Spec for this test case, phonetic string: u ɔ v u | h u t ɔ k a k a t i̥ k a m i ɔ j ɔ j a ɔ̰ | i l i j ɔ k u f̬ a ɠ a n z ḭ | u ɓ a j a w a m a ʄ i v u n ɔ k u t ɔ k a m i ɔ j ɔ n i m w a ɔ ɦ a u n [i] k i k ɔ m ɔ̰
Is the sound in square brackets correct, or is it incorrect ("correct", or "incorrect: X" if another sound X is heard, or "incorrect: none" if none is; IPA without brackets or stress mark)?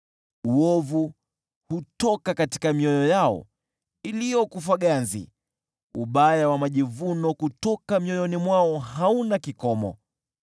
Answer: incorrect: a